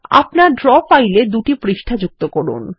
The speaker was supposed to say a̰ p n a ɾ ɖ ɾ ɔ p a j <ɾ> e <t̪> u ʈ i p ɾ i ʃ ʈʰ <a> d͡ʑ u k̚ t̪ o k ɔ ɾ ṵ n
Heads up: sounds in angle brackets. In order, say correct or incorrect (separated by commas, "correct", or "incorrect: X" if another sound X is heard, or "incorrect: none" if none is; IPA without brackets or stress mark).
incorrect: l, incorrect: d̪, correct